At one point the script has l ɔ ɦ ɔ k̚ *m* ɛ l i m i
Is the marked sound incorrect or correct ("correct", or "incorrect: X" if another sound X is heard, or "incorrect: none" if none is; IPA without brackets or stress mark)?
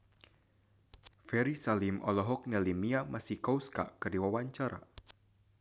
incorrect: n